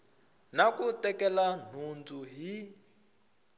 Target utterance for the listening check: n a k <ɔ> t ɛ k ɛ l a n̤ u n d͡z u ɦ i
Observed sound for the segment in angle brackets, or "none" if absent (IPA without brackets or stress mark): u